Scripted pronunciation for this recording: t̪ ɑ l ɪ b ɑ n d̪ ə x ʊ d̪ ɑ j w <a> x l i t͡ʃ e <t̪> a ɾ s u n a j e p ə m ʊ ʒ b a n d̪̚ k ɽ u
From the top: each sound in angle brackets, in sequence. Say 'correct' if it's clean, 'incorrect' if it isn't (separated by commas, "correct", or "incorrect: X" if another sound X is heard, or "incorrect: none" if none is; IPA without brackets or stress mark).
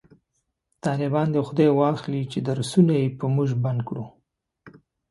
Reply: incorrect: ɑ, incorrect: d̪